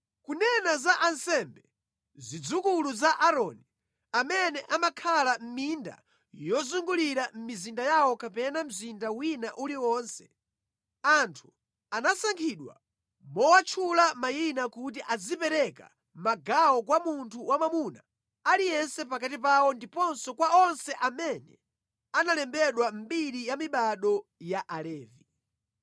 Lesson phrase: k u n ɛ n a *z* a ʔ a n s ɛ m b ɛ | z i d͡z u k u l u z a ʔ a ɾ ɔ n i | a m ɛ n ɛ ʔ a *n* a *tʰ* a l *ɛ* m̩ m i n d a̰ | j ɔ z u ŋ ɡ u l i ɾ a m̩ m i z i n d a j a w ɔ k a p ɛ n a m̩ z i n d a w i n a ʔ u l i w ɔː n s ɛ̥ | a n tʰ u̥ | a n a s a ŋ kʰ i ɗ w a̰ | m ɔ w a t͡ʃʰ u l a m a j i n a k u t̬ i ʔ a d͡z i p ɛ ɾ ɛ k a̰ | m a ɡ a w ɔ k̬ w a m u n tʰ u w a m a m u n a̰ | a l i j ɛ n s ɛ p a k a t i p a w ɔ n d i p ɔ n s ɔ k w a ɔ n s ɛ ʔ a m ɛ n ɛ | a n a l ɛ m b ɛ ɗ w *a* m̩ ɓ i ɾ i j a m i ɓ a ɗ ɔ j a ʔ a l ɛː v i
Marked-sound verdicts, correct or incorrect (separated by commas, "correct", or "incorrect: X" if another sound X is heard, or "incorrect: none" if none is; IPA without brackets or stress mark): correct, incorrect: m, incorrect: kʰ, incorrect: a, correct